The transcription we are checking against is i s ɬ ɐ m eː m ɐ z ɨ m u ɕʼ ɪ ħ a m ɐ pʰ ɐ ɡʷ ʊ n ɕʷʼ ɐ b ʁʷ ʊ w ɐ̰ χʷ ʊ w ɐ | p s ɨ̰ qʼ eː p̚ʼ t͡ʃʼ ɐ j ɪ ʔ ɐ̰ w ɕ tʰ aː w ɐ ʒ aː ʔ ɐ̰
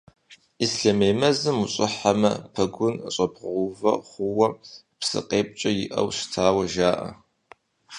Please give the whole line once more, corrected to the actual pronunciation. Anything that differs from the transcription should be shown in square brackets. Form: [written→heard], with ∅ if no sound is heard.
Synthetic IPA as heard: i s ɬ ɐ m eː m ɐ z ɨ m u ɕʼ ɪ ħ a m ɐ pʰ ɐ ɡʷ ʊ n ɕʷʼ ɐ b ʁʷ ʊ [w→v] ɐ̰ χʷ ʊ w ɐ | p s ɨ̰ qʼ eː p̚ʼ t͡ʃʼ ɐ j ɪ ʔ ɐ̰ w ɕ tʰ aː w ɐ ʒ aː ʔ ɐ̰